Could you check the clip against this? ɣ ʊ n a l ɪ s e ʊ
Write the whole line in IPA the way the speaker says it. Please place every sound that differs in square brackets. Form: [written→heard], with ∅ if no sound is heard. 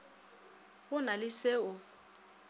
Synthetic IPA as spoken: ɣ ʊ n a l ɪ s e ʊ